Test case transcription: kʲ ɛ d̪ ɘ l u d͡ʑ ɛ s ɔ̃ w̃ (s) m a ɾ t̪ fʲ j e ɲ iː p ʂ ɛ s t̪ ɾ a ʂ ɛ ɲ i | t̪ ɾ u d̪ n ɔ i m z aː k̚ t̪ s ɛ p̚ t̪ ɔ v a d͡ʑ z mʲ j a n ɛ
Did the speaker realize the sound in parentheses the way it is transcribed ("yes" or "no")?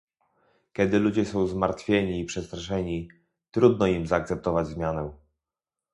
no